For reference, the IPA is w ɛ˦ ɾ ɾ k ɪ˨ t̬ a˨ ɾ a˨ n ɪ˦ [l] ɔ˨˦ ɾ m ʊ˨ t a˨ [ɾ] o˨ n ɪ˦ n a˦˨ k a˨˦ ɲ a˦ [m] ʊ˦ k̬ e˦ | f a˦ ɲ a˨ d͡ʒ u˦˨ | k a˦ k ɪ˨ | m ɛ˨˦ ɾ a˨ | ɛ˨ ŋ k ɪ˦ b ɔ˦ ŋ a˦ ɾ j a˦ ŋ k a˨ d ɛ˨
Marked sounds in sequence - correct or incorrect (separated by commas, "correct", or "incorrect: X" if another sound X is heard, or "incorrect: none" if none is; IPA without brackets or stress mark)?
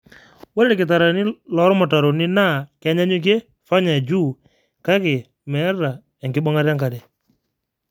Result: correct, correct, incorrect: ɲ